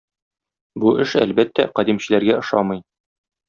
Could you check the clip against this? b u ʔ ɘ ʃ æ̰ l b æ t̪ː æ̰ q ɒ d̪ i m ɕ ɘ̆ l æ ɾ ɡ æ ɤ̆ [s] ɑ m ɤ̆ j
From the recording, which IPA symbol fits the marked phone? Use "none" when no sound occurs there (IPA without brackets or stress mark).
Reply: ʃ